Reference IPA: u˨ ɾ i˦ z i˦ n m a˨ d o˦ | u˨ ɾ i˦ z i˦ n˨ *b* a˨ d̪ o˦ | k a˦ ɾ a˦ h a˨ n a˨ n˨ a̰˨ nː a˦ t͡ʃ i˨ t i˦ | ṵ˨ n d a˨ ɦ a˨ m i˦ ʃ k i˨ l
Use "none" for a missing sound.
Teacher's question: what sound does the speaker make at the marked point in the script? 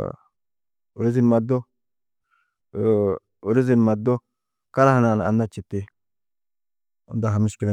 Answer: m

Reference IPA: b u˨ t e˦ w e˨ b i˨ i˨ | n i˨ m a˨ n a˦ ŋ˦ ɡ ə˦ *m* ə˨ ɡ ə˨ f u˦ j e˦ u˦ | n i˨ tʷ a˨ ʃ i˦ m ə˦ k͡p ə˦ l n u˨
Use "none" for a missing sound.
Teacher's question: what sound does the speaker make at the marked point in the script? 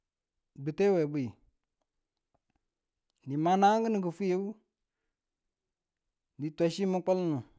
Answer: n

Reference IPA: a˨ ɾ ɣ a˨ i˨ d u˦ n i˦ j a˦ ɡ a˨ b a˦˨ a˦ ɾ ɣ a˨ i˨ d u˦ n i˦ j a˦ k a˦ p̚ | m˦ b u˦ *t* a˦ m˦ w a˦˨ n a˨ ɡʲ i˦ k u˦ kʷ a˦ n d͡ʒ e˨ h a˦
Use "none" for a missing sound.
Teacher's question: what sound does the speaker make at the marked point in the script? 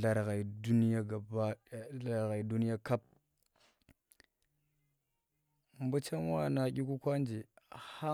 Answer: t͡ʃ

